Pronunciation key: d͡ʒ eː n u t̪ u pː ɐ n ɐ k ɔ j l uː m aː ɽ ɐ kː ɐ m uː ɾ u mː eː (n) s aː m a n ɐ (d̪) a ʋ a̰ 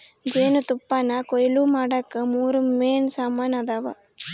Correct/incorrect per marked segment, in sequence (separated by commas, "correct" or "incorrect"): correct, correct